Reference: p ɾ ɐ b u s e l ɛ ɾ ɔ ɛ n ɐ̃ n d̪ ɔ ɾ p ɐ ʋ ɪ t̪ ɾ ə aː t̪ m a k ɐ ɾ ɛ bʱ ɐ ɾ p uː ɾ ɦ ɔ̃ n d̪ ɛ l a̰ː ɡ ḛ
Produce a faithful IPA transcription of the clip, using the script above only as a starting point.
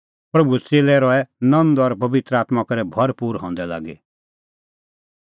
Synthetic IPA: p ɾ ɐ b u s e l ɛ ɾ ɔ ɛ n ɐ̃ n d̪ ɔ ɾ p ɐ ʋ ɪ t̪ ɾ ə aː t̪ m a k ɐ ɾ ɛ bʱ ɐ ɾ p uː ɾ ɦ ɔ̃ n d̪ ɛ l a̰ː ɡ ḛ